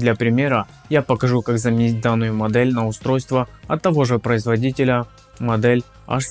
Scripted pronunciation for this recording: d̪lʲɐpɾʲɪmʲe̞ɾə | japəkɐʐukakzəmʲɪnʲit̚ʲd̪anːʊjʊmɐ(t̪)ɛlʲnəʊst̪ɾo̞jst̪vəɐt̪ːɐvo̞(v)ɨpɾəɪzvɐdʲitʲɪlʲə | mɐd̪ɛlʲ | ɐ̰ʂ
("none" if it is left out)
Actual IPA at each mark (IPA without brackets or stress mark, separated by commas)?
d̪, ʐ